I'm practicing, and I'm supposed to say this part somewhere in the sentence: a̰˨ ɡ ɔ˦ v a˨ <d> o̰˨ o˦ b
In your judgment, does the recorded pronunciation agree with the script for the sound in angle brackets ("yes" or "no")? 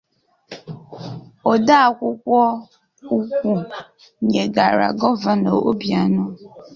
no